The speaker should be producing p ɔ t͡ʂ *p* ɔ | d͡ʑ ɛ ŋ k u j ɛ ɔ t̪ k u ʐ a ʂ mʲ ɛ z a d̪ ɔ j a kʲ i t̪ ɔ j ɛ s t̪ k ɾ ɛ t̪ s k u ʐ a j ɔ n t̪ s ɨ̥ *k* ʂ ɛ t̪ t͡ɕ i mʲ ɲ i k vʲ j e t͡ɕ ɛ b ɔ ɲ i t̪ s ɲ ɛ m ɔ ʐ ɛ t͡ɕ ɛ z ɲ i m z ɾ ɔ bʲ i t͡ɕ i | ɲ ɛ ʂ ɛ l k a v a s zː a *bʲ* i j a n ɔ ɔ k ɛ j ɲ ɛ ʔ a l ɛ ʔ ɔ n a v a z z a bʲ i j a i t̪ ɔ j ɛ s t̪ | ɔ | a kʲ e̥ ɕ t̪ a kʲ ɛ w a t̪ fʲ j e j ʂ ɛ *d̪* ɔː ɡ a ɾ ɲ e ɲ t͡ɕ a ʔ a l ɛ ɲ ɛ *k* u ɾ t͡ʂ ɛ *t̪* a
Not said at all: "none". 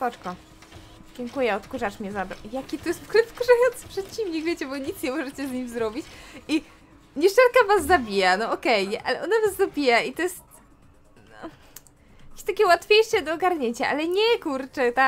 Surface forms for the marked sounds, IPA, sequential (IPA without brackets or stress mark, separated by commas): k, p, bʲ, d̪, k, t̪